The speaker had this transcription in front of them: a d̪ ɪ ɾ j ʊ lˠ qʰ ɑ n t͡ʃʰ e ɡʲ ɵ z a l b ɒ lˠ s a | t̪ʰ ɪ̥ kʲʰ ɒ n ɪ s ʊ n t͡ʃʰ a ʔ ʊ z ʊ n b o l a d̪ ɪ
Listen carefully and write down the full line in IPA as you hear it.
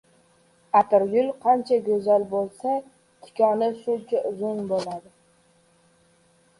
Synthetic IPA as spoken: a t̪ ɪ ɾ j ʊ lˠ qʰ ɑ n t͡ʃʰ a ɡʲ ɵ z a l b o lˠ s a | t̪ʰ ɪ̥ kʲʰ ɒ n ɪ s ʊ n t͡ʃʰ a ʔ ʊ z ʊ n b o l a d̪ ɪ